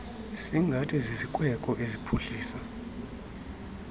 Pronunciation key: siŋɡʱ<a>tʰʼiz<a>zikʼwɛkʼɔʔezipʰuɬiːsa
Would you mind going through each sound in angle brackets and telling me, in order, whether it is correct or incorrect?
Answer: correct, incorrect: i

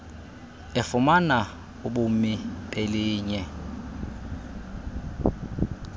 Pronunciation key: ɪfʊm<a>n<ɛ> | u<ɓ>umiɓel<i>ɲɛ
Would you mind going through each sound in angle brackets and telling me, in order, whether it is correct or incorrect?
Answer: correct, incorrect: a, correct, incorrect: iː

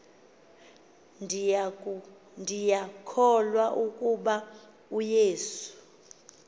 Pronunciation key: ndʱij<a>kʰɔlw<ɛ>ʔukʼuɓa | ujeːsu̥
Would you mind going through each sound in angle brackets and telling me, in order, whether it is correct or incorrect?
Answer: correct, incorrect: a

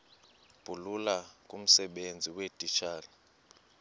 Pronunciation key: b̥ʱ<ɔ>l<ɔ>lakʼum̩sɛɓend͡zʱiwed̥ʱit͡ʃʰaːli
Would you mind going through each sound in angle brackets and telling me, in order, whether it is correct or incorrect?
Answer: incorrect: u, incorrect: u

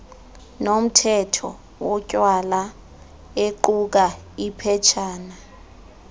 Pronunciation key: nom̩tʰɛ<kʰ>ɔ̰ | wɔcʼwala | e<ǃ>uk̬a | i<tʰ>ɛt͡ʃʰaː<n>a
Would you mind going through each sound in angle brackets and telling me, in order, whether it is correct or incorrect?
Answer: incorrect: tʰ, correct, incorrect: pʰ, correct

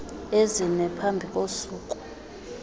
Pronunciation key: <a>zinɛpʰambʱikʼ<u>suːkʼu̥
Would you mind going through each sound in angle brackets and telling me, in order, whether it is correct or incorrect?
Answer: incorrect: e, incorrect: o

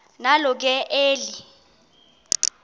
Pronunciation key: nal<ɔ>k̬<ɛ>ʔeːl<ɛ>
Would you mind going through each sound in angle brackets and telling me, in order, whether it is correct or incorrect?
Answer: correct, correct, incorrect: i

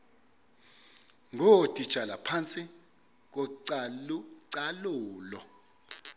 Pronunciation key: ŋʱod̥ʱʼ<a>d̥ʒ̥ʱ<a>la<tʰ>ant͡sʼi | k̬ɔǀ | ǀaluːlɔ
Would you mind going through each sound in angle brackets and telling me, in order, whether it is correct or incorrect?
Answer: incorrect: i, correct, incorrect: pʰ

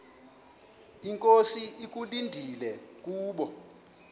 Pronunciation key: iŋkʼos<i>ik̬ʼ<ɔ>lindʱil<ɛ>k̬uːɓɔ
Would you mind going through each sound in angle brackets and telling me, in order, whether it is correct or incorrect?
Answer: correct, incorrect: u, correct

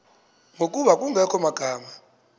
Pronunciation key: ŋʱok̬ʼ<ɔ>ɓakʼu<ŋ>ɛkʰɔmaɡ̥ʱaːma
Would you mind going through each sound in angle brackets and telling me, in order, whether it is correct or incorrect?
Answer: incorrect: u, correct

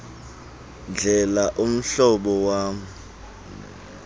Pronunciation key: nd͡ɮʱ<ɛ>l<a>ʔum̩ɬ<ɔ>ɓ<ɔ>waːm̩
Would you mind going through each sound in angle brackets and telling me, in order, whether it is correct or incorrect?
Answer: correct, correct, correct, correct

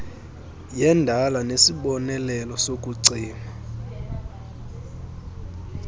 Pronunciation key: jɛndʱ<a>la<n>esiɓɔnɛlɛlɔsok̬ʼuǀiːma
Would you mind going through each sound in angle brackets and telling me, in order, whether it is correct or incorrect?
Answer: correct, correct

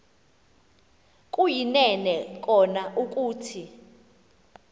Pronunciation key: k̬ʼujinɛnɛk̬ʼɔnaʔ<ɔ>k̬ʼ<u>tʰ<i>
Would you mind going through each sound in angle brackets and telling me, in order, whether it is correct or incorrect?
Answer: incorrect: u, incorrect: uː, correct

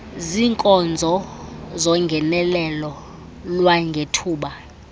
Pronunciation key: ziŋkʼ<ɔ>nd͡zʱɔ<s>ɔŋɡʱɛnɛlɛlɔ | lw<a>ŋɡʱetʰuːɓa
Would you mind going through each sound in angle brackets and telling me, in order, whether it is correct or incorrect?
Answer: correct, incorrect: z, correct

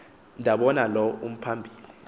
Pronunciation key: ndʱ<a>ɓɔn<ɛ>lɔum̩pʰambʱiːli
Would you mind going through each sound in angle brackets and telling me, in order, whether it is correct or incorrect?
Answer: correct, incorrect: a

